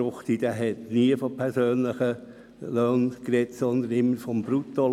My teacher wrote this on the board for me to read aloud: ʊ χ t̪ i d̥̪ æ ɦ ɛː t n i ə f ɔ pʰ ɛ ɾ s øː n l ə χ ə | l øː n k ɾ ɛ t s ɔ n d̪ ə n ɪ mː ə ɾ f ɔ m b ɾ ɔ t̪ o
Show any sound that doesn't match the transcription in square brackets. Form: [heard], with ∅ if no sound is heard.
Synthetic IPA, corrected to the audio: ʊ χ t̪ i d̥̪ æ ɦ [ɛ] t n i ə f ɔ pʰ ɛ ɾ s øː n l ə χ ə | l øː n k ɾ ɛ t s ɔ n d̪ ə n ɪ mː ə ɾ f ɔ m b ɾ [u] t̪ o